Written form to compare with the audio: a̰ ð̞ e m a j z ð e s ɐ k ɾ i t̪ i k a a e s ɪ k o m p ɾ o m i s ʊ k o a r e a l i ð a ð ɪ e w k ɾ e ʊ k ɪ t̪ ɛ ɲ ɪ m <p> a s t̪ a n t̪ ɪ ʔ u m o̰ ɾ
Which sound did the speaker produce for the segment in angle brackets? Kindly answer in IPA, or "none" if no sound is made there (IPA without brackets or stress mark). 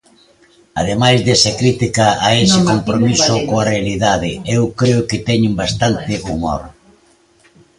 b